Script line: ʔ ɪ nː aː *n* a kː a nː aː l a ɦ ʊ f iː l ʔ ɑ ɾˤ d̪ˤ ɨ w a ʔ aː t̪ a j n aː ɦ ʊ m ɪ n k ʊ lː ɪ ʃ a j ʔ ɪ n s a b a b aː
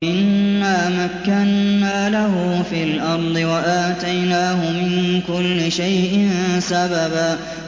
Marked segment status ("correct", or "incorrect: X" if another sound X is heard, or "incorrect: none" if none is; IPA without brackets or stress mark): incorrect: m